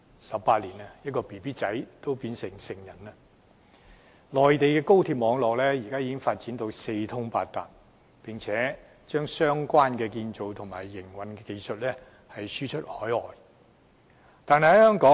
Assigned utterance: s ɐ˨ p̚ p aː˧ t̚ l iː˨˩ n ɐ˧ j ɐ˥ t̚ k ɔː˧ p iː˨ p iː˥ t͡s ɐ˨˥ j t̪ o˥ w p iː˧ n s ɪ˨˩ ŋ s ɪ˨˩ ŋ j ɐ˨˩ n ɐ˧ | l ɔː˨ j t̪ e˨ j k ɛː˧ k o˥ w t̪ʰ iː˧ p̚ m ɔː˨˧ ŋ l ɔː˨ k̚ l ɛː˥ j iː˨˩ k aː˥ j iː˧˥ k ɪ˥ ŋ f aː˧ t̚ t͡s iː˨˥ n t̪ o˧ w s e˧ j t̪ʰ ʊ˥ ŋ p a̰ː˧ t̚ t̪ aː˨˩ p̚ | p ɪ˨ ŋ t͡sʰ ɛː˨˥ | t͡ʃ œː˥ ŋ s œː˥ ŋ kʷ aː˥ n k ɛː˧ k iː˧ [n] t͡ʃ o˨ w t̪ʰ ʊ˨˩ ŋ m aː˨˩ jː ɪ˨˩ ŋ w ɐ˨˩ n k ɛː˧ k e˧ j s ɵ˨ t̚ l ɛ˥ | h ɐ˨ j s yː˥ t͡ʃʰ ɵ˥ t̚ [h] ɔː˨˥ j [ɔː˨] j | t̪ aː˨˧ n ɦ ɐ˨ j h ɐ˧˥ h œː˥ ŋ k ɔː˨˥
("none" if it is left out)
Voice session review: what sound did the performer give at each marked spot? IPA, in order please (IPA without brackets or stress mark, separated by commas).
n, h, ɔː˨